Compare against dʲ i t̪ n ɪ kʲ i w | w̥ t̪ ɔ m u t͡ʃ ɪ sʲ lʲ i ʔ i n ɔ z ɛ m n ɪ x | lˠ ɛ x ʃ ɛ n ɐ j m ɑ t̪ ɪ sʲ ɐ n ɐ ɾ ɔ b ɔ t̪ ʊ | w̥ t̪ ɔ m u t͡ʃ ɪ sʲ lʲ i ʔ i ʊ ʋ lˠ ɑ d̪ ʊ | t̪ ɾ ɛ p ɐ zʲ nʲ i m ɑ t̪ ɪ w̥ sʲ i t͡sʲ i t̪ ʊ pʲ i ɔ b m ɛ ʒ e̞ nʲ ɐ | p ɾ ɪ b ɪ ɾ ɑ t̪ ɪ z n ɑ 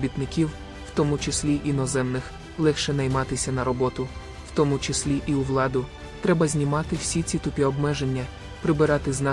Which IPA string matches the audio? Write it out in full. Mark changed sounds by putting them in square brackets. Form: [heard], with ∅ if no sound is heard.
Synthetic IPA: [bʲ] i t̪ n ɪ kʲ i w | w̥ t̪ ɔ m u t͡ʃ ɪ sʲ lʲ i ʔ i n ɔ z ɛ m n ɪ x | lˠ ɛ x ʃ ɛ n ɐ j m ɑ t̪ ɪ sʲ ɐ n ɐ ɾ ɔ b ɔ t̪ ʊ | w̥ t̪ ɔ m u t͡ʃ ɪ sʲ lʲ i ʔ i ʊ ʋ lˠ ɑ d̪ ʊ | t̪ ɾ ɛ [b] ɐ zʲ nʲ i m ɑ t̪ ɪ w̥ sʲ i t͡sʲ i t̪ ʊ pʲ i ɔ b m ɛ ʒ e̞ [nʲː] ɐ | p ɾ ɪ b ɪ ɾ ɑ t̪ ɪ z n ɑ